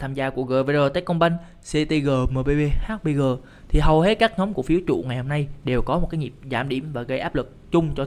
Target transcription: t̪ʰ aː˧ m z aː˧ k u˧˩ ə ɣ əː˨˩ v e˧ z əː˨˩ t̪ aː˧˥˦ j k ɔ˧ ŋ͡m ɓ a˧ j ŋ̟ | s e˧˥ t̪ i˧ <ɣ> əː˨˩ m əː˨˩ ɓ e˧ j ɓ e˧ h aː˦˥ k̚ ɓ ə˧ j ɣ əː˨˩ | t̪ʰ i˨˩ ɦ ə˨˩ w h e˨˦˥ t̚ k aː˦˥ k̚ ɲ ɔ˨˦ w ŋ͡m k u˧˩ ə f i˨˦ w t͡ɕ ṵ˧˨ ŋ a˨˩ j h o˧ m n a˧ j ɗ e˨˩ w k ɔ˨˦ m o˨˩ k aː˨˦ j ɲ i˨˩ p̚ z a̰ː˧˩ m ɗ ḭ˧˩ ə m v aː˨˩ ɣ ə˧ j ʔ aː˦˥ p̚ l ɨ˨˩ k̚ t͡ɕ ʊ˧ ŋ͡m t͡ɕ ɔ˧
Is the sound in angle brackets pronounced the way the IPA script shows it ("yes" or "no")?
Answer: yes